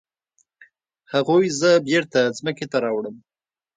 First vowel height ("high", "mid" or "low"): low